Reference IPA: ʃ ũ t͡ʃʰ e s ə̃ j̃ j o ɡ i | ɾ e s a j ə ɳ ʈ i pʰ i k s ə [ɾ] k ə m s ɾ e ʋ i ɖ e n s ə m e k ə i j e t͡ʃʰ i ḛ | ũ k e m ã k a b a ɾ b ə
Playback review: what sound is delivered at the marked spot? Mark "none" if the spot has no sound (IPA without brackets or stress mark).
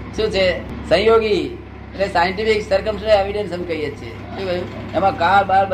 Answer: ɾ